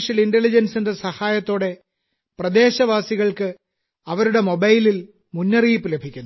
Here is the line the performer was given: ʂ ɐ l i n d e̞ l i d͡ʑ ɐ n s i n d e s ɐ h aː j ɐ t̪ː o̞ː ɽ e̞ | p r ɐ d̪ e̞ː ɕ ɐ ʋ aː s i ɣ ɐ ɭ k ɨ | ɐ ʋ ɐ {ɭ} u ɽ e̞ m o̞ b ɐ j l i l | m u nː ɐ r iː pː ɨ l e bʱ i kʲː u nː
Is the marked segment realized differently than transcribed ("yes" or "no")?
yes